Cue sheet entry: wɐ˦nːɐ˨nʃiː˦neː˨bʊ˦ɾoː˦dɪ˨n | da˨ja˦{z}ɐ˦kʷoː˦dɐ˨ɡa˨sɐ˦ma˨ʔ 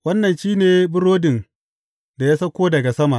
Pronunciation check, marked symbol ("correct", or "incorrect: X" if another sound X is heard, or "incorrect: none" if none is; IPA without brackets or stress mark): incorrect: s